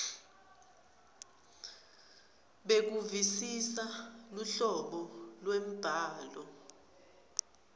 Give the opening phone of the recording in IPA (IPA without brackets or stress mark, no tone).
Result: ɓ